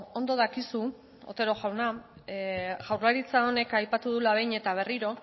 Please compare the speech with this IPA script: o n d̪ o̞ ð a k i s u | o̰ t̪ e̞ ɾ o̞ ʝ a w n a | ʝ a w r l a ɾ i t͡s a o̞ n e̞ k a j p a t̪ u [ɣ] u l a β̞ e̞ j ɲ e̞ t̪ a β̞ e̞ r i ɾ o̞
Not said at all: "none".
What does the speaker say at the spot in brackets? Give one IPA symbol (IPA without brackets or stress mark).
ð